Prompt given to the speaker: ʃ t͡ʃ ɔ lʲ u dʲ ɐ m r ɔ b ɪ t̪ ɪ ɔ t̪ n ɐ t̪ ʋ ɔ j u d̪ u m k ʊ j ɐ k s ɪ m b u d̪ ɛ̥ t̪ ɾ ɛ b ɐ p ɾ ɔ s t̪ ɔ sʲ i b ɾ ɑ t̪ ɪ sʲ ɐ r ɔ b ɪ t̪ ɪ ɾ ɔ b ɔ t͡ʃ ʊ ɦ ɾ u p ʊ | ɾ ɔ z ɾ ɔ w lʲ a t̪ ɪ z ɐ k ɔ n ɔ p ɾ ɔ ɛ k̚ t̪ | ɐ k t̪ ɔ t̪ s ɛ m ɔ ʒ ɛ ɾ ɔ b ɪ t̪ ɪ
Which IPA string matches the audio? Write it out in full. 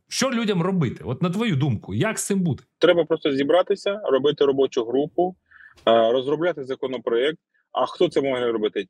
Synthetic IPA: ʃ t͡ʃ ɔ lʲ u dʲ ɐ m r ɔ b ɪ t̪ ɪ ɔ t̪ n ɐ t̪ ʋ ɔ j u d̪ u m k ʊ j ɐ k s ɪ m b u d̪ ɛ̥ t̪ ɾ ɛ b ɐ p ɾ ɔ s t̪ ɔ zʲ i b ɾ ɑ t̪ ɪ sʲ ɐ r ɔ b ɪ t̪ ɪ ɾ ɔ b ɔ t͡ʃ ʊ ɦ ɾ u p ʊ | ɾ ɔ z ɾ ɔ b lʲ a t̪ ɪ z ɐ k ɔ n ɔ p ɾ ɔ ɛ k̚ t̪ | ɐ x t̪ ɔ t̪ s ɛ m ɔ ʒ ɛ ɾ ɔ b ɪ t̪ ɪ